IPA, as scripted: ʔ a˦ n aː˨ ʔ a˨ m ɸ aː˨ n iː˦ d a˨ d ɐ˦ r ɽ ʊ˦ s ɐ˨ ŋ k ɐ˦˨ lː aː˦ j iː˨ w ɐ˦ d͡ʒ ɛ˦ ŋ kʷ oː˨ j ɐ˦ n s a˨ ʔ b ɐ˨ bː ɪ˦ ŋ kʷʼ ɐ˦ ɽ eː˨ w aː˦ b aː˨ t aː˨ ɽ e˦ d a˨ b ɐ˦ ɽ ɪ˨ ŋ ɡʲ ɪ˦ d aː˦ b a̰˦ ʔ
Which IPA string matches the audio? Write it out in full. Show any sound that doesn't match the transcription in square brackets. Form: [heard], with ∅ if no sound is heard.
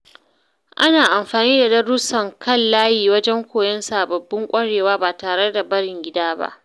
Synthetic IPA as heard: ʔ a˦ n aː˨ ʔ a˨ m ɸ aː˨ n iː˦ d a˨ d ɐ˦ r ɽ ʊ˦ s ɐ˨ ŋ k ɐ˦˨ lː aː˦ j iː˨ w ɐ˦ d͡ʒ ɛ˦ ŋ kʷ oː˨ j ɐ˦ n s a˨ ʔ b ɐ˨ bː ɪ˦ ŋ kʷʼ ɐ˦ ɽ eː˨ w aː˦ b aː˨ t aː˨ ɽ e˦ d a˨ b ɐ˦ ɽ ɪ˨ ŋ ɡʲ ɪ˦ d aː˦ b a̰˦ ʔ